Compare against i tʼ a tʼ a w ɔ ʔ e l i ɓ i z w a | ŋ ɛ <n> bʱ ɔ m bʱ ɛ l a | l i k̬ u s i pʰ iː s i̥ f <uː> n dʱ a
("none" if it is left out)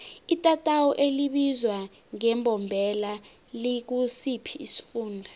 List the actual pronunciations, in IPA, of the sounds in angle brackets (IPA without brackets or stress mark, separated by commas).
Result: m, uː